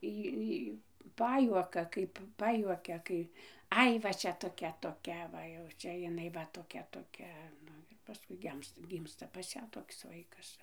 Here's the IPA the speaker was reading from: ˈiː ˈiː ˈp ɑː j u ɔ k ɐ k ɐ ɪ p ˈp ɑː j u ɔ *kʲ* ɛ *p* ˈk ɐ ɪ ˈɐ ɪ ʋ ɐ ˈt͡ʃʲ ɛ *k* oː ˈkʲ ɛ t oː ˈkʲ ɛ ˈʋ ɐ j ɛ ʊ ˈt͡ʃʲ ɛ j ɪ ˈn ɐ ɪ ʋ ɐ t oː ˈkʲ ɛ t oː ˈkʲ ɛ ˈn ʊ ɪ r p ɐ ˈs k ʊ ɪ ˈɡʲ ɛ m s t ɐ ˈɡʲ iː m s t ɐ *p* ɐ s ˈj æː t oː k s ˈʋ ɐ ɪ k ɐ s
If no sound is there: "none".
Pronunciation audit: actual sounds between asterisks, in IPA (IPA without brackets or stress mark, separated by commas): kʲ, none, t, p